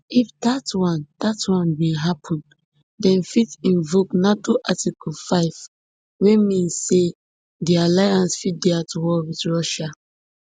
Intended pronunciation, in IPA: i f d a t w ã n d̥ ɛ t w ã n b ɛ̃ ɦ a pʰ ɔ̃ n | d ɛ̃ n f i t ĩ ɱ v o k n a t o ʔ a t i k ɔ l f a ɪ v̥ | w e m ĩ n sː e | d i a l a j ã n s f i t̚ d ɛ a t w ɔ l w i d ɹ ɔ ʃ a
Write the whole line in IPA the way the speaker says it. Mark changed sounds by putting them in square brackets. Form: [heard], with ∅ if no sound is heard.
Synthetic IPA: i f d a t w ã n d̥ [a] t w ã n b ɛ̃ ɦ a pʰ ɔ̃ n | d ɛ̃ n f i t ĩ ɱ v o k n a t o ʔ a t i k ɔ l f a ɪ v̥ | w e m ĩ n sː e | d i a l a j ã n s f i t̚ d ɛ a t w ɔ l w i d ɹ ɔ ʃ a